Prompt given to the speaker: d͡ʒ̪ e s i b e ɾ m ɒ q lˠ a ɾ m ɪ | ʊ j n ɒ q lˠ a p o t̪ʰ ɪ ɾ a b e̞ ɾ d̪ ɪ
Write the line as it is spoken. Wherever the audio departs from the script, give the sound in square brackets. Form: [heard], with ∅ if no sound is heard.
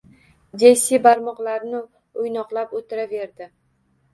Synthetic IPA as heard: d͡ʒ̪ e s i b [a] ɾ m ɒ q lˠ a ɾ [n] ɪ | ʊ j n ɒ q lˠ a p o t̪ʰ ɪ ɾ a [v] e̞ ɾ d̪ ɪ